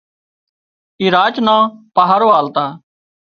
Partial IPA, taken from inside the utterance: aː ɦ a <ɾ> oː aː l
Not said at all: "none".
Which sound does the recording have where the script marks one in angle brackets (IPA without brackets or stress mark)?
ɾ